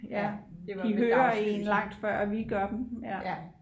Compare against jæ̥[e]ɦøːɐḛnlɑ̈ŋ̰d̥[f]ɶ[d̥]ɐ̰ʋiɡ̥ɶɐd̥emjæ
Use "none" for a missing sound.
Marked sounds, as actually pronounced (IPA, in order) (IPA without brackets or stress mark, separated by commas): i, f, none